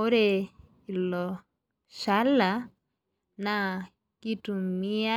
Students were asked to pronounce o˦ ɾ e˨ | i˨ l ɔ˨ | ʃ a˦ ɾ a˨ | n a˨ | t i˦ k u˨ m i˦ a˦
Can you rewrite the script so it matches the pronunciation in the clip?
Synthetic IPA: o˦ ɾ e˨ | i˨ l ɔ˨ | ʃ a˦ l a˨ | n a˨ | k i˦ t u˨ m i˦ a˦